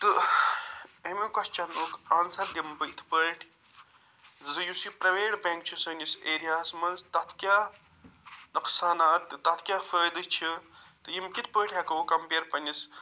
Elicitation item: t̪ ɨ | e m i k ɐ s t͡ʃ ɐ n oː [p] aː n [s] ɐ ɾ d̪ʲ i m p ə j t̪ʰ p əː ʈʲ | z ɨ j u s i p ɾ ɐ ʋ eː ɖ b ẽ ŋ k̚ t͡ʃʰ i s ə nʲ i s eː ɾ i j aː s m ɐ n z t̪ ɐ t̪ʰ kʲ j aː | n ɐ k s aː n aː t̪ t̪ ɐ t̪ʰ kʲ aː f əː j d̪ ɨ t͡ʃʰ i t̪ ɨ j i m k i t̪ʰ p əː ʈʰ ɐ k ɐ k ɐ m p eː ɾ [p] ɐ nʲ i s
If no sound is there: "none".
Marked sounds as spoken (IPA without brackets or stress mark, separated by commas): k, s, p